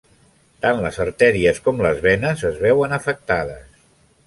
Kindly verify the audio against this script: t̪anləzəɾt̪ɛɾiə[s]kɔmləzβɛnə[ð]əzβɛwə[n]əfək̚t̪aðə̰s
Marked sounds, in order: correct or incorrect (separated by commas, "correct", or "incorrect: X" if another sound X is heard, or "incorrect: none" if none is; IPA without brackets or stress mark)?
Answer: correct, incorrect: z, correct